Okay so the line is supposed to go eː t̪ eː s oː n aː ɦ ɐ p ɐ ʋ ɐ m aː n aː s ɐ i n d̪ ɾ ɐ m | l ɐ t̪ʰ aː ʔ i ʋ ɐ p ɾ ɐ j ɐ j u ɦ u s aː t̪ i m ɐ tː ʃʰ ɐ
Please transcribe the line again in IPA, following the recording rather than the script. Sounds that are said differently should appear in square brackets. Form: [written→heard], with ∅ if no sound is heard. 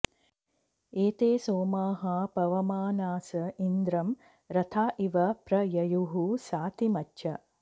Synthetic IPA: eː t̪ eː s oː [n→m] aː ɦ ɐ p ɐ ʋ ɐ m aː n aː s ɐ i n d̪ ɾ ɐ m | [l→ɾ] ɐ t̪ʰ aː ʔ i ʋ ɐ p ɾ ɐ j ɐ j u ɦ u s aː t̪ i m ɐ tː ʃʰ ɐ